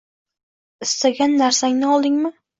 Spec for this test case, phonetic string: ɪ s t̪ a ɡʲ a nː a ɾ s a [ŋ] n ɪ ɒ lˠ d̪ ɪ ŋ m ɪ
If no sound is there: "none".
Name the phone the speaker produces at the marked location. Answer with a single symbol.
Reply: ŋ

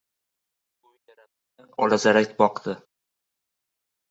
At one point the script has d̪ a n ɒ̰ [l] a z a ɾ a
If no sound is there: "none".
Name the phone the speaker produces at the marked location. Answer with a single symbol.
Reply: l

